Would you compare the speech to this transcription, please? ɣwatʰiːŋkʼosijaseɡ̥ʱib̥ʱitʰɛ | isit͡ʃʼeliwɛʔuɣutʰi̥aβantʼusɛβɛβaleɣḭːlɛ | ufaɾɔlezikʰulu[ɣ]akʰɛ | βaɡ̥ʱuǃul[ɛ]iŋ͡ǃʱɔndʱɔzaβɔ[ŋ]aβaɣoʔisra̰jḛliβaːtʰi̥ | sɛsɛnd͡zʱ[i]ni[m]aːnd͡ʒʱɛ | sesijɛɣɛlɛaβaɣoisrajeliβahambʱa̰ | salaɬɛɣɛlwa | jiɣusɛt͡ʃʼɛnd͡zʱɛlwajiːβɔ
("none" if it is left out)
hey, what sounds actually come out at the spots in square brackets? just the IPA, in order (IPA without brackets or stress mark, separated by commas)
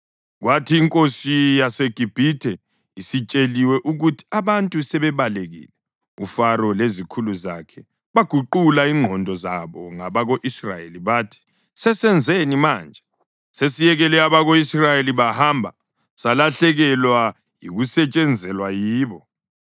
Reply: z, a, ŋ, e, m